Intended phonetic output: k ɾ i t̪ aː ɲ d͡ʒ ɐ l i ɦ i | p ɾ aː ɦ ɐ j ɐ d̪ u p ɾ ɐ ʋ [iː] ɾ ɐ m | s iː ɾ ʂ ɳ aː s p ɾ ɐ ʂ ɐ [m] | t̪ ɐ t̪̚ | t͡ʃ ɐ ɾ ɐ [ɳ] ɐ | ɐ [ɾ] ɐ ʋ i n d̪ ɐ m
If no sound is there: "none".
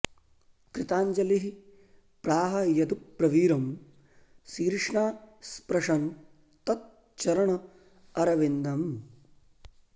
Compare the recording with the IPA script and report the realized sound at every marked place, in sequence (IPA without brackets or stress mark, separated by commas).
iː, n, ɳ, ɾ